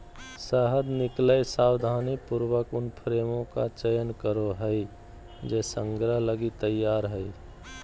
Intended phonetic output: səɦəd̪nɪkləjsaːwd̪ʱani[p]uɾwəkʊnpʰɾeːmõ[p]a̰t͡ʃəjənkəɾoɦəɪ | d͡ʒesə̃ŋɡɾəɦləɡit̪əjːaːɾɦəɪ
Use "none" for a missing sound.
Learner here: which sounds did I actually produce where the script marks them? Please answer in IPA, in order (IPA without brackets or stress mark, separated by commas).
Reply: p, k